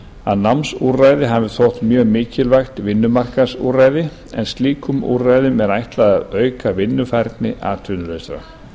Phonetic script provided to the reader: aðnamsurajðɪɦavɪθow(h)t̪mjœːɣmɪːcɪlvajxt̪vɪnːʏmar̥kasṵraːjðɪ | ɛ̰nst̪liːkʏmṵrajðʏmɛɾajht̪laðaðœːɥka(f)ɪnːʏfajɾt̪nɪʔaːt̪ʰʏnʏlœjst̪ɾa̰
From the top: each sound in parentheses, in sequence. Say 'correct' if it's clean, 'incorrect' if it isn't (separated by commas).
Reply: correct, incorrect